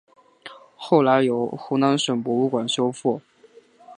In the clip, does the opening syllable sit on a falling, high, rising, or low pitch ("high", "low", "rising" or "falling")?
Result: falling